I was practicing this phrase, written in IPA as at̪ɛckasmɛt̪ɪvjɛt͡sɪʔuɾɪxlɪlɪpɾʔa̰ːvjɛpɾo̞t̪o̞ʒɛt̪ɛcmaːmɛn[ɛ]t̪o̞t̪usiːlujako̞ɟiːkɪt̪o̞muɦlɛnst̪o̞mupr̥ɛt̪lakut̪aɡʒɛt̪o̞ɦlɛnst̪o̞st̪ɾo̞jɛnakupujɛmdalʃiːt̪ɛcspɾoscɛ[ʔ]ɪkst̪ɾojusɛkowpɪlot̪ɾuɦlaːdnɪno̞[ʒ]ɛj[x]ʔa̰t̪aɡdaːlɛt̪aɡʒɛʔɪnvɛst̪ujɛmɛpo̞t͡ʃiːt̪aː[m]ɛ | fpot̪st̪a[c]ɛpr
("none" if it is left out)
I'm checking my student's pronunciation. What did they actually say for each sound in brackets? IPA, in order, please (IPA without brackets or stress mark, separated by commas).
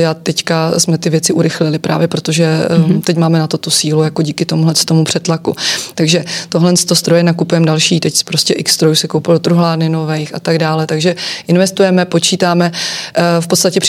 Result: a, ʔ, v, x, m, c